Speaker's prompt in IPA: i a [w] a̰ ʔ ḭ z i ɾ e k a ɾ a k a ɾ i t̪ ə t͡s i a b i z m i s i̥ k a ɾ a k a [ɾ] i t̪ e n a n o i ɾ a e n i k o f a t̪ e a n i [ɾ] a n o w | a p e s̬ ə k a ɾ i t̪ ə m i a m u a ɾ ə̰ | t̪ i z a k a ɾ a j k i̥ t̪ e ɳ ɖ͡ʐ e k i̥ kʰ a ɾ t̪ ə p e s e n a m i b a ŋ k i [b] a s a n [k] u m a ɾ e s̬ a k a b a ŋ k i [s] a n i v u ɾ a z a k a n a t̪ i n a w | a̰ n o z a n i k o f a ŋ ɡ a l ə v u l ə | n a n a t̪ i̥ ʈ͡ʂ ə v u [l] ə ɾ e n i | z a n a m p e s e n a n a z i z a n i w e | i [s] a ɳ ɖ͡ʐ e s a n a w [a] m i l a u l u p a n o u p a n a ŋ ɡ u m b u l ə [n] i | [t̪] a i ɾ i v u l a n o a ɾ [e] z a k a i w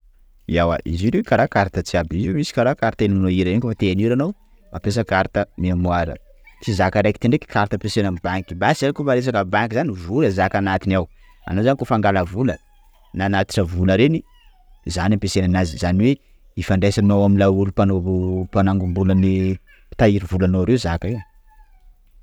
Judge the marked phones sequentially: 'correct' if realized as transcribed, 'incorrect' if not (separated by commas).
correct, correct, correct, correct, correct, incorrect, correct, incorrect, correct, correct, correct, correct